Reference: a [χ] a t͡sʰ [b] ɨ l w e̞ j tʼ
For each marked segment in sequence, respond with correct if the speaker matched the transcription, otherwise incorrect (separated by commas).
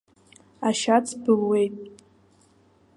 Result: incorrect, correct